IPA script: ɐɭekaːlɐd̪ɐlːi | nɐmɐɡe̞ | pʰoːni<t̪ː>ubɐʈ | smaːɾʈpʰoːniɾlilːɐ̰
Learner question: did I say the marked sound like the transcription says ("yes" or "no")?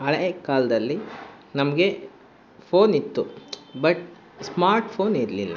yes